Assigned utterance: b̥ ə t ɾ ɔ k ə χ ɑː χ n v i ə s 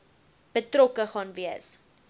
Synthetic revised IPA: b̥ ə t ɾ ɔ k ə χ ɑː n v i ə s